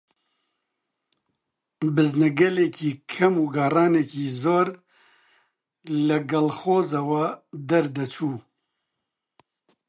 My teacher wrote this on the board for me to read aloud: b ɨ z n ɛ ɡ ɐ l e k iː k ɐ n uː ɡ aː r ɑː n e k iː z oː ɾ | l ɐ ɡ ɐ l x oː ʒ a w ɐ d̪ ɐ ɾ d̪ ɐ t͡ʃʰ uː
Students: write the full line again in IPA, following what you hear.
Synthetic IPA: b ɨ z n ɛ ɡ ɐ l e k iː kʰ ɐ m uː ɡ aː r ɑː n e k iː z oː ɾ | l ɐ ɡ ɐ l x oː z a w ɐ d̪ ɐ ɾ d̪ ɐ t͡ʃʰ uː